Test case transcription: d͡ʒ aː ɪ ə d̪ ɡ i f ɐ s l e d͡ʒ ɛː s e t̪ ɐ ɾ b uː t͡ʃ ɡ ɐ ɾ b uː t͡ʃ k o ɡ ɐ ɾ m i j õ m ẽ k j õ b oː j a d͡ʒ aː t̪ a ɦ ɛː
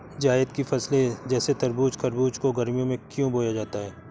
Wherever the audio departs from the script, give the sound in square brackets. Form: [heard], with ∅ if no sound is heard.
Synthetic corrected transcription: d͡ʒ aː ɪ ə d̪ [k] i f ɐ s l e d͡ʒ ɛː s e t̪ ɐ ɾ b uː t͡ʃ [k] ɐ ɾ b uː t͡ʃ k o ɡ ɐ ɾ m i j õ m ẽ k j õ b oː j a d͡ʒ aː t̪ a ɦ ɛː